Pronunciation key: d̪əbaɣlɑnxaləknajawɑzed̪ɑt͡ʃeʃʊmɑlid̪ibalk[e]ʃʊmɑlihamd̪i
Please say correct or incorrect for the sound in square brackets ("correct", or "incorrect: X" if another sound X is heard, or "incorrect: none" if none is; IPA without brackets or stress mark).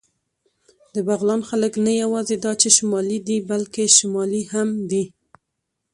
correct